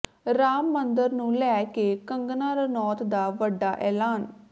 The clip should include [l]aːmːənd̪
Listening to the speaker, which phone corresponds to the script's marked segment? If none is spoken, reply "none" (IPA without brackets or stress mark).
ɾ